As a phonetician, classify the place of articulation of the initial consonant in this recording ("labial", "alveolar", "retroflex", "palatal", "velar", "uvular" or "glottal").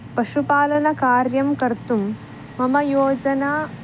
labial